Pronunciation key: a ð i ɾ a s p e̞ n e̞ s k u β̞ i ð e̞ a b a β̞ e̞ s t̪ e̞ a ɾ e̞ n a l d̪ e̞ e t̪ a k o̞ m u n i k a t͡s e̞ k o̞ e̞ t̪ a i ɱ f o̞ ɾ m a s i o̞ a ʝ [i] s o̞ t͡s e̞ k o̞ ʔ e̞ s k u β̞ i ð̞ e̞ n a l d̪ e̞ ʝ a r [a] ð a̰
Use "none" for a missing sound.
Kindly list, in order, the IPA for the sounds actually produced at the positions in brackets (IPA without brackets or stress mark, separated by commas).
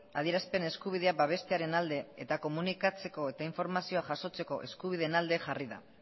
a, i